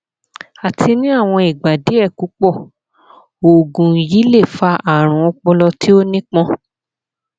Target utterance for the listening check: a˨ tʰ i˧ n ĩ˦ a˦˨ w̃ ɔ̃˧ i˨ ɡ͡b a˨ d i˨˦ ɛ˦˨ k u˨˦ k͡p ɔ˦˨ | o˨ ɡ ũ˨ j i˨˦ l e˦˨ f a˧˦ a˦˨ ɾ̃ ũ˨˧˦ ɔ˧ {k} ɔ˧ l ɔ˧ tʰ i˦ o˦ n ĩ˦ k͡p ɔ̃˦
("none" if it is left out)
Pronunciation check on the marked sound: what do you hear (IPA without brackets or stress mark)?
k͡p